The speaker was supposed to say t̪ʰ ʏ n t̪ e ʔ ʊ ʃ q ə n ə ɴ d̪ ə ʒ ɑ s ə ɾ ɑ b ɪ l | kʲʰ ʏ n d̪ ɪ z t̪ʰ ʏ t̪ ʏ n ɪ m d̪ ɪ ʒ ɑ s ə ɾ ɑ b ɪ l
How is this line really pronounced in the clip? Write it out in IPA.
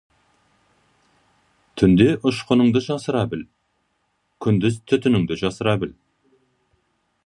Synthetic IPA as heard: t̪ʰ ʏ n d̪ e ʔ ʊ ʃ q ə n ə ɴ d̪ ə ʒ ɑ s ə ɾ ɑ b ɪ l | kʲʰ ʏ n d̪ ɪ z t̪ʰ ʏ t̪ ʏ n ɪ ŋ d̪ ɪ ʒ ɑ s ə ɾ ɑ b ɪ l